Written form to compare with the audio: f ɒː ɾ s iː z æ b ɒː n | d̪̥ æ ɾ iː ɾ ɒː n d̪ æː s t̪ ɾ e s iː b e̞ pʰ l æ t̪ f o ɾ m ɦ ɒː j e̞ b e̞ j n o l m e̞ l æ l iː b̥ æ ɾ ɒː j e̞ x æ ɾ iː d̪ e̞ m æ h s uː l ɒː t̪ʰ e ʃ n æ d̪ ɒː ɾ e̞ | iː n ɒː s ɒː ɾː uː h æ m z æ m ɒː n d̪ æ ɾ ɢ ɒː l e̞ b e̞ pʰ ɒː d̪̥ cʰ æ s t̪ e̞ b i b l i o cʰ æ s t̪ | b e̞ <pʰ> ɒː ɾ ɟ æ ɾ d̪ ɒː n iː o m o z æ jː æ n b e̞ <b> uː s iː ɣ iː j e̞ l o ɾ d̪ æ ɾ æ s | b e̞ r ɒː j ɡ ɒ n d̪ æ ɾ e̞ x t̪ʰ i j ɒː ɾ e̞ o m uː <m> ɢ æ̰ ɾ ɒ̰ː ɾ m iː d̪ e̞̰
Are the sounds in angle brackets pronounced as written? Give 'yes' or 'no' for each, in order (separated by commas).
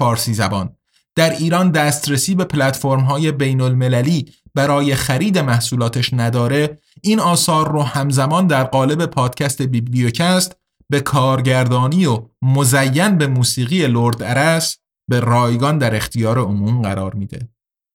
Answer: no, no, yes